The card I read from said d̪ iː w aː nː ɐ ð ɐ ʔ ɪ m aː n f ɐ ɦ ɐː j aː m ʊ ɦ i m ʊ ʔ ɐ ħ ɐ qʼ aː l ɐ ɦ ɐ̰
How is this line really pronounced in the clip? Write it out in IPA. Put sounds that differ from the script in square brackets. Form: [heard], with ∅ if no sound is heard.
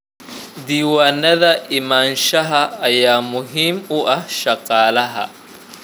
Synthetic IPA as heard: d̪ iː w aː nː ɐ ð ɐ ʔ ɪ m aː n [ʃ] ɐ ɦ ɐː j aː m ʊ ɦ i m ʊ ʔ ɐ [ʃ] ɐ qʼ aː l ɐ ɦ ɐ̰